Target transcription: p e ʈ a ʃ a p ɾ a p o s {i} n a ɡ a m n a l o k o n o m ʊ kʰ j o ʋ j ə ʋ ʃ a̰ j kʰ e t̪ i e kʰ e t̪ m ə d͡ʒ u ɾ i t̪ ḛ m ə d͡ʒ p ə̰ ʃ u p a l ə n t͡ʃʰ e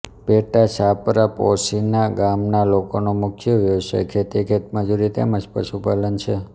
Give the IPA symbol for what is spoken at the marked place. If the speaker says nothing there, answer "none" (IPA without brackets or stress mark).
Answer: i